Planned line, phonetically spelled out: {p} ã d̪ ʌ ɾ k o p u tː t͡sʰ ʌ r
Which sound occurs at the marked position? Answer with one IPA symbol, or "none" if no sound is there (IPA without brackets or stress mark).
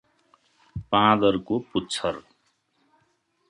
p